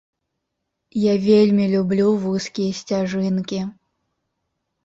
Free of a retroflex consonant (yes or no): no